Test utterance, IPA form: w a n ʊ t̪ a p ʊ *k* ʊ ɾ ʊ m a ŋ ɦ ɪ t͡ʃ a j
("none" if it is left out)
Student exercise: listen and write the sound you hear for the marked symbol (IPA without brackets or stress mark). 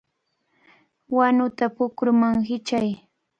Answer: k